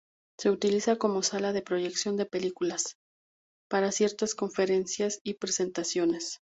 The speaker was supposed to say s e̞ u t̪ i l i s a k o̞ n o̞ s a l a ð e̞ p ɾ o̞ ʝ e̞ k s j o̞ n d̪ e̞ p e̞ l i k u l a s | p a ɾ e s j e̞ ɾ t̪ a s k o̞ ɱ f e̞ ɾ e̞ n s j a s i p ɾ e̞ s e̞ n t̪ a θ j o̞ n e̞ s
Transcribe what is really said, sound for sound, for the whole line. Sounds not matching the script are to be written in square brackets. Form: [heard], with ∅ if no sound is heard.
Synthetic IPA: s e̞ u t̪ i l i s a k o̞ [m] o̞ s a l a ð e̞ p ɾ o̞ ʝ e̞ k s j o̞ n d̪ e̞ p e̞ l i k u l a s | p a ɾ [a] s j e̞ ɾ t̪ a s k o̞ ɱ f e̞ ɾ e̞ n s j a s i p ɾ e̞ s e̞ n t̪ a [s] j o̞ n e̞ s